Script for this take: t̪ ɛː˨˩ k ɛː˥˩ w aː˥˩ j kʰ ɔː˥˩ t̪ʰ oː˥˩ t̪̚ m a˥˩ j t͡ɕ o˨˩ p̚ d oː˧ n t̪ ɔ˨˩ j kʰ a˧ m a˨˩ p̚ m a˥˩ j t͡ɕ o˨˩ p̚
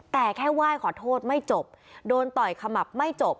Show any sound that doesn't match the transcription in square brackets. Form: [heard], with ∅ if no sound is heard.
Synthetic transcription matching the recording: t̪ ɛː˨˩ [kʰ] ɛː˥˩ w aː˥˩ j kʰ [ɔː˩˦] t̪ʰ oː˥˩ t̪̚ m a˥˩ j t͡ɕ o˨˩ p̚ d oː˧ n t̪ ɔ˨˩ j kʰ a˧ m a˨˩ p̚ m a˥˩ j t͡ɕ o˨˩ p̚

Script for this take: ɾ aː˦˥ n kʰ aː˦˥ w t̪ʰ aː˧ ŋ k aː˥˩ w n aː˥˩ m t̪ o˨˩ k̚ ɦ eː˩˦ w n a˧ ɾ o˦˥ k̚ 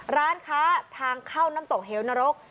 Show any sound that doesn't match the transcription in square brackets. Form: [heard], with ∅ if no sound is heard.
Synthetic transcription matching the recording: ɾ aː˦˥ n kʰ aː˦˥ [∅] t̪ʰ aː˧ ŋ [kʰ] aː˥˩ w n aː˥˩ m t̪ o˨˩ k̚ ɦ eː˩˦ w n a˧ ɾ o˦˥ k̚

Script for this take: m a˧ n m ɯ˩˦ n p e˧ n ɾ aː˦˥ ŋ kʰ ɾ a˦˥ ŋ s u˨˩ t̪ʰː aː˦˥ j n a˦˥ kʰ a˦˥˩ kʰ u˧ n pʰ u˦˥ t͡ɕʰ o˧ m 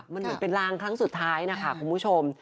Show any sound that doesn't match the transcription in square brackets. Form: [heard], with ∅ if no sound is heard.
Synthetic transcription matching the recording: m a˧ n m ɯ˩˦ n p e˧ n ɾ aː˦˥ ŋ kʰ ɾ a˦˥ ŋ s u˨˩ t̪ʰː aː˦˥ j n a˦˥ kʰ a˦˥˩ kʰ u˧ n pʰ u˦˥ t͡ɕʰ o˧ m

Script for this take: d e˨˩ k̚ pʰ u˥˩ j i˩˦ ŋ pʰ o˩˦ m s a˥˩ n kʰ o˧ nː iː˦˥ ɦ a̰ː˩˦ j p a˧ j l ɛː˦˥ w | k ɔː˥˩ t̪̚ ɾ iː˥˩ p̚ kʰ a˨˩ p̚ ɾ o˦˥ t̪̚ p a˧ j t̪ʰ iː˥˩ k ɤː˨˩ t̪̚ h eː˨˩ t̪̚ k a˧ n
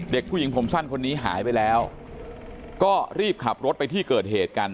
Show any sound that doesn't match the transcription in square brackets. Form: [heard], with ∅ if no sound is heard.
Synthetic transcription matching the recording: d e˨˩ k̚ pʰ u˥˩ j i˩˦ ŋ pʰ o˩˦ m s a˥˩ n kʰ o˧ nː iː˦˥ ɦ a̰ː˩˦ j p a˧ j l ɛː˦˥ w | k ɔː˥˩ [∅] ɾ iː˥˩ p̚ kʰ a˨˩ p̚ ɾ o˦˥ t̪̚ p a˧ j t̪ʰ iː˥˩ k ɤː˨˩ t̪̚ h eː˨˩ t̪̚ k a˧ n

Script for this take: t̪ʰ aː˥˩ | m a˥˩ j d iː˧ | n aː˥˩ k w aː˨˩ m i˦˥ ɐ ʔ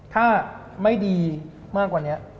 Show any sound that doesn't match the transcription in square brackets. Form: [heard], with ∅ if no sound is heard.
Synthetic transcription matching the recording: t̪ʰ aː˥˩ | m a˥˩ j d iː˧ | [m] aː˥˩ k w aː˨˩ [n] i˦˥ ɐ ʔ

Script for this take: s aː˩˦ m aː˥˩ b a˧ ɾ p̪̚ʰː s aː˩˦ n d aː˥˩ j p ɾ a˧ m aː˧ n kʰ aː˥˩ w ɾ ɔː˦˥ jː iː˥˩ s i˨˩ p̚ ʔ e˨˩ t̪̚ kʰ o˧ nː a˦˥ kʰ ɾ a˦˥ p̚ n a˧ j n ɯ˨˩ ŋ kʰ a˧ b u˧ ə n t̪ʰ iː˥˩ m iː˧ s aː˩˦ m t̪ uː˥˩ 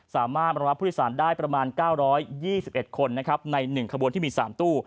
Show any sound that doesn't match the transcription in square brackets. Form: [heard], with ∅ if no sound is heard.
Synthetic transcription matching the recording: s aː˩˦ m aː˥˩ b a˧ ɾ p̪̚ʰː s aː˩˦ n d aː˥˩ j p ɾ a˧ m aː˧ n [k] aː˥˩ w ɾ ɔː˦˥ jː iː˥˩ s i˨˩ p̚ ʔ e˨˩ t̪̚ kʰ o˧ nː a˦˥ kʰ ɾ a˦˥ p̚ n a˧ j n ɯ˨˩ ŋ kʰ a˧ b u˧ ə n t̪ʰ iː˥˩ m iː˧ s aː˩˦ m t̪ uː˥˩

